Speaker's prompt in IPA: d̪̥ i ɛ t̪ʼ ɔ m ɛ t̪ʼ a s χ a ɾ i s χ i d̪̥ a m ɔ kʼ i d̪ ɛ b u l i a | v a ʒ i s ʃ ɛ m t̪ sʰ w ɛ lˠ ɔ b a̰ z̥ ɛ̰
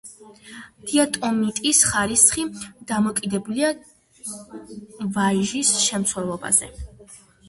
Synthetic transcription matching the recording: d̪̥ i a t̪ʼ ɔ m i t̪ʼ i s χ a ɾ i s χ i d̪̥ a m ɔ kʼ i d̪ ɛ b u l i a | v a ʒ i s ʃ ɛ m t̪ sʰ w ɛ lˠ ɔ b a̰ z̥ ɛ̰